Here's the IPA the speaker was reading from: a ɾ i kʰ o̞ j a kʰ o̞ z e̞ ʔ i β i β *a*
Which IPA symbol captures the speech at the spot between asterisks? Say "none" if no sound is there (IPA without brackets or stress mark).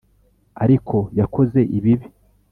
i